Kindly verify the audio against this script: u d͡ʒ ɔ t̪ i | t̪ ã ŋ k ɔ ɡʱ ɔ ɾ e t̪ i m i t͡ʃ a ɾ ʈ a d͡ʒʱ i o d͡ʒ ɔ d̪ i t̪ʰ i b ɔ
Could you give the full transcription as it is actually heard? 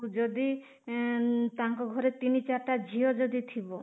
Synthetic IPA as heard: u d͡ʒ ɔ d̪ i | t̪ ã ŋ k ɔ ɡʱ ɔ ɾ e t̪ i n i t͡ʃ a ɾ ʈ a d͡ʒʱ i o d͡ʒ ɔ d̪ i t̪ʰ i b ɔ